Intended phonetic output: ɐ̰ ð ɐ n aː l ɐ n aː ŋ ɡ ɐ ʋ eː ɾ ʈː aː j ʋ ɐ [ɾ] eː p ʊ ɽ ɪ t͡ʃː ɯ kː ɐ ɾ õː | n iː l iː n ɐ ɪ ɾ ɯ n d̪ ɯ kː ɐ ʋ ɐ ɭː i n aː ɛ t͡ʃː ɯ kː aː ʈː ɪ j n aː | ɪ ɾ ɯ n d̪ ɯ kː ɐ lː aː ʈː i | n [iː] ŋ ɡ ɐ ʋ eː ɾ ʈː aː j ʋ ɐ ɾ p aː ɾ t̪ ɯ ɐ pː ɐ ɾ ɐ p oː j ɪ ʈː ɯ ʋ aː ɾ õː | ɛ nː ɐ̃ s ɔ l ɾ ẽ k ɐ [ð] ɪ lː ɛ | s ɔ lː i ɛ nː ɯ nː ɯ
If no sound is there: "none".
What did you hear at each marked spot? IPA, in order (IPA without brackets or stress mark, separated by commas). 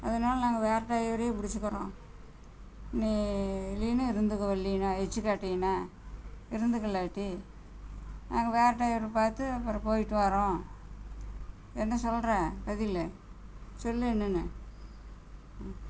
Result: ɾ, aː, ð